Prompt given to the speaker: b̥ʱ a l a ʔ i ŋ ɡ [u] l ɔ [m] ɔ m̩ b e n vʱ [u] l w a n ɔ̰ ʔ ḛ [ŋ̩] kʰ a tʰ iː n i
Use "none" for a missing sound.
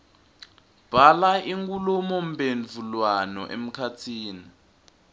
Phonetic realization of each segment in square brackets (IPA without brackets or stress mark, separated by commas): u, m, u, m̩